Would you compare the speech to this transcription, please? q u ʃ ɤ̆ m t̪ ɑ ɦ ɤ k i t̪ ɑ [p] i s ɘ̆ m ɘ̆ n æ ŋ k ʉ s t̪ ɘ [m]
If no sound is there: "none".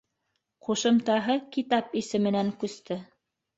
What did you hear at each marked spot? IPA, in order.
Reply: p, none

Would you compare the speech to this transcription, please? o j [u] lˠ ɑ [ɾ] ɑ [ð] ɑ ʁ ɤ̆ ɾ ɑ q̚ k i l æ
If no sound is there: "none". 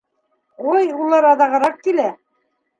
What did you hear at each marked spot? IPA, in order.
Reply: u, ɾ, ð

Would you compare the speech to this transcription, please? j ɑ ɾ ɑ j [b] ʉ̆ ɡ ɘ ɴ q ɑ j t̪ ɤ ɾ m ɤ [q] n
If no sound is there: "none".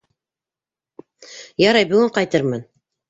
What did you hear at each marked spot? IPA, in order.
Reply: b, none

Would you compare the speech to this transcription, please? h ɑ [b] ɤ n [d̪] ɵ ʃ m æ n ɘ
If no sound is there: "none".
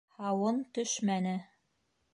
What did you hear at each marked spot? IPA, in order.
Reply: w, t̪

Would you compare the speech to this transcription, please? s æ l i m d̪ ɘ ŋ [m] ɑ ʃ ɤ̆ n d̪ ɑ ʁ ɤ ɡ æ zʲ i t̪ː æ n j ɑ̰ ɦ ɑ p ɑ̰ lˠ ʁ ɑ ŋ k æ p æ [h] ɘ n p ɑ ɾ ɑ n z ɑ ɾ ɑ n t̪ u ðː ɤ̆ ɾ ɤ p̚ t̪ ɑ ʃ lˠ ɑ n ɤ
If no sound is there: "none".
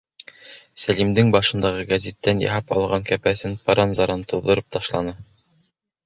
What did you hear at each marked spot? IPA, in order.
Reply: b, s

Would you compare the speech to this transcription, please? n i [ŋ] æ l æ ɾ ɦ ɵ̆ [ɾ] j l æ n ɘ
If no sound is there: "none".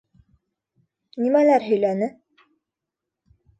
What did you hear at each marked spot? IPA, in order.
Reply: m, none

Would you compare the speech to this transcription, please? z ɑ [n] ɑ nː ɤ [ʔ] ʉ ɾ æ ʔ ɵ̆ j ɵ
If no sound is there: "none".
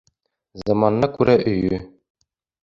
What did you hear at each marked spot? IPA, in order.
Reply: m, k

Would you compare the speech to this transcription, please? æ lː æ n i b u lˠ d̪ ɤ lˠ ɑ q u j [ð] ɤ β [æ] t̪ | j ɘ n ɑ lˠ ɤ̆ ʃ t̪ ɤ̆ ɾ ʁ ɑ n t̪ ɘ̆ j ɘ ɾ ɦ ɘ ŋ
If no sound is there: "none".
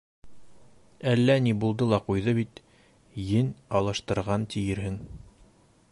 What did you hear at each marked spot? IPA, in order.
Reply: ð, i

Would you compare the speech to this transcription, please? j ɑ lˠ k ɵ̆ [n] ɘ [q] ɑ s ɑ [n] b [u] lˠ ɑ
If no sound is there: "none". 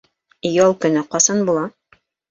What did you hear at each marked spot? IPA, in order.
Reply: n, q, n, u

